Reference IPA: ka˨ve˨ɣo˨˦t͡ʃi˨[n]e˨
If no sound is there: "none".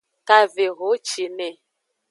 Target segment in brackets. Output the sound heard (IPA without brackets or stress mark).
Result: n